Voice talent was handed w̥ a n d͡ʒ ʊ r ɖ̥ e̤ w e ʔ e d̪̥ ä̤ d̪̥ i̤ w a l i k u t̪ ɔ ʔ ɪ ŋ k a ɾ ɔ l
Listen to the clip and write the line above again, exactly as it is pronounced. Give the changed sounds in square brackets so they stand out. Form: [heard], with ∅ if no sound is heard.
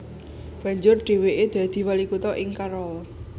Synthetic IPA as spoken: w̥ a [ɲ] d͡ʒ ʊ r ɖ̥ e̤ w e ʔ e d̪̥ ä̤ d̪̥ i̤ w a l i k u t̪ ɔ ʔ ɪ ŋ k a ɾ ɔ l

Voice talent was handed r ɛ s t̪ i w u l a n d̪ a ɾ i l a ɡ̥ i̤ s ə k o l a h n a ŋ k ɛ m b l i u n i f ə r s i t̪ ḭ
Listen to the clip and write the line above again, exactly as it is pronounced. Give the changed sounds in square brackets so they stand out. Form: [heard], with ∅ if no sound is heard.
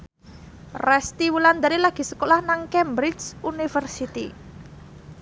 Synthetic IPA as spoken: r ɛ s t̪ i w u l a n d̪ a ɾ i l a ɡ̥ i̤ s ə k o l a h n a ŋ k ɛ m b [ɾ] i u n i f ə r s i t̪ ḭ

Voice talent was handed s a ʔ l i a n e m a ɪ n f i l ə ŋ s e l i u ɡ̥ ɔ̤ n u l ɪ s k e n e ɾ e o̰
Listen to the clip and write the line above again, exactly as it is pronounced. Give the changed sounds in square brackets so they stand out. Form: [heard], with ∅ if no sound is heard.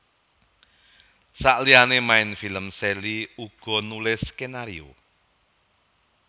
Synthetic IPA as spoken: s a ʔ l i a n e m a ɪ n f i l ə [m] s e l i u ɡ̥ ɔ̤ n u l ɪ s k e n [a] ɾ [i] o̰

